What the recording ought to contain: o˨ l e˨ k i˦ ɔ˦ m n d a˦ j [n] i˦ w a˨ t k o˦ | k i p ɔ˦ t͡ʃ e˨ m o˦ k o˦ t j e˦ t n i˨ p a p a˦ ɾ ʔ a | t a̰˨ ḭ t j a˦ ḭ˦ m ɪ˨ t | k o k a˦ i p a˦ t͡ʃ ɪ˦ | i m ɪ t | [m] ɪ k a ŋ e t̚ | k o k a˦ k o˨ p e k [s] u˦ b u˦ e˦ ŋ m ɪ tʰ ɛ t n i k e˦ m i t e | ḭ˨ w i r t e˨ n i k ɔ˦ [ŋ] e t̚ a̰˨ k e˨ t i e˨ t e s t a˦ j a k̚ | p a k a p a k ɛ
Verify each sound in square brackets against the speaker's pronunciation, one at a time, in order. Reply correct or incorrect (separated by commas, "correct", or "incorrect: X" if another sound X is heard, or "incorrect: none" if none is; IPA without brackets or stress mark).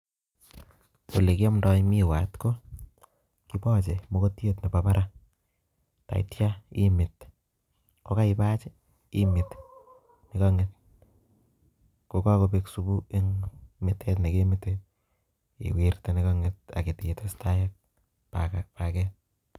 incorrect: m, incorrect: n, correct, correct